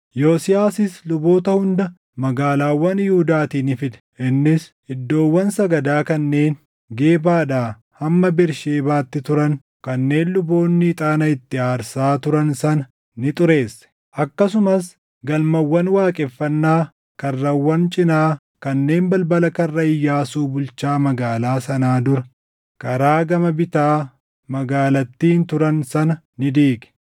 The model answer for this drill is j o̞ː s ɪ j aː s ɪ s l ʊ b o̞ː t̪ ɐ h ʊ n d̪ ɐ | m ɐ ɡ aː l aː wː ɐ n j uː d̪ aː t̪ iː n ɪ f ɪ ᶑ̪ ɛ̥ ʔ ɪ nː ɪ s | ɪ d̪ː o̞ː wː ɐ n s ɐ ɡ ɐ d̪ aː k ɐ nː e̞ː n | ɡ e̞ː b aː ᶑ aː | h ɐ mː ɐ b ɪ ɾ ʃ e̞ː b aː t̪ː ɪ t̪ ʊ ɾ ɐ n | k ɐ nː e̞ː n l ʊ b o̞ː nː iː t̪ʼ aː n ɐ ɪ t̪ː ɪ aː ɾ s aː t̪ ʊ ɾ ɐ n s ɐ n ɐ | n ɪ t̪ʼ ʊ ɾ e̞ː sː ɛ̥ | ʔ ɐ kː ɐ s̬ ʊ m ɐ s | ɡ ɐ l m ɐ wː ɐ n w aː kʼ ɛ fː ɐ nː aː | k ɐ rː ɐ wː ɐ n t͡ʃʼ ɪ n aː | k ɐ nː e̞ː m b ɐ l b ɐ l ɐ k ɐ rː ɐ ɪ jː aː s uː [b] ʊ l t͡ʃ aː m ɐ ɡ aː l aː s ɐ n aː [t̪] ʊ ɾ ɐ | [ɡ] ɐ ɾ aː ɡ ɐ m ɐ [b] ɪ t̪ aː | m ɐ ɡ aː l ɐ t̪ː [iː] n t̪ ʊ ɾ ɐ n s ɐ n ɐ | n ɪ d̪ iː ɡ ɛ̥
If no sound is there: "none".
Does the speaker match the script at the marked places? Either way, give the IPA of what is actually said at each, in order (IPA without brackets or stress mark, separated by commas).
b, d̪, k, b, iː